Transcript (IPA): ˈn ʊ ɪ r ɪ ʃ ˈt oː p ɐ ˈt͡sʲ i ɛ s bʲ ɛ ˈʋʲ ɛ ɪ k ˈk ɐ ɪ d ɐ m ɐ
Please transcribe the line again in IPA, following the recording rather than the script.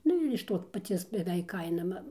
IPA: ˈn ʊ ɪ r ɪ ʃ ˈt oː p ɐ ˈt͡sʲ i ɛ s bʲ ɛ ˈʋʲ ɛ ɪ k ˈk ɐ ɪ n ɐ m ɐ